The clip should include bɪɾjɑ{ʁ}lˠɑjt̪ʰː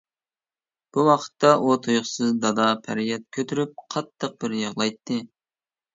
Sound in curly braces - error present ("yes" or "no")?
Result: no